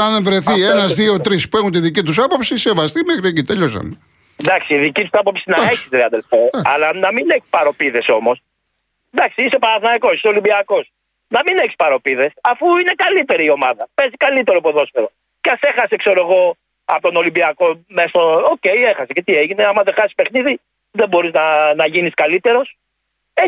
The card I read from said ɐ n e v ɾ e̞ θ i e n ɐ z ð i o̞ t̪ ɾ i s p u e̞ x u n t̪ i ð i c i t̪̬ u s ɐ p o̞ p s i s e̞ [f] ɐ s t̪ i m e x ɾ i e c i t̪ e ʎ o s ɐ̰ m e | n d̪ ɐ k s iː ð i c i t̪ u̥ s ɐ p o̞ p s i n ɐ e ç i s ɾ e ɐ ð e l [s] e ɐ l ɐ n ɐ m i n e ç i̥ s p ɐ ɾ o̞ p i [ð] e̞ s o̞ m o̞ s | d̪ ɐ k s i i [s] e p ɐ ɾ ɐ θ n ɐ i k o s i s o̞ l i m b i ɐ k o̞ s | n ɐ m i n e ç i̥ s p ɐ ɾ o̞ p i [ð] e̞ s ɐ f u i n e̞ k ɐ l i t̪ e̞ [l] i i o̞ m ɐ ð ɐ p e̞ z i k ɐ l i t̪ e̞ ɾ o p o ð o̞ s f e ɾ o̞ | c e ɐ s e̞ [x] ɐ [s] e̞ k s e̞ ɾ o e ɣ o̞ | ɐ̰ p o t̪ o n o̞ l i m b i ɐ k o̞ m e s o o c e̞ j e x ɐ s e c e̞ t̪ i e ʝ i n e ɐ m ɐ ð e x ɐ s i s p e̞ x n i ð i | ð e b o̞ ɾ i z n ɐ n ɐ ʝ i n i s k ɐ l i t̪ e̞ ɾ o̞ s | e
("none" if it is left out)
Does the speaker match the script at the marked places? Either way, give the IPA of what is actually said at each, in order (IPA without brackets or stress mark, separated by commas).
v, f, ð, s, ð, ɾ, x, s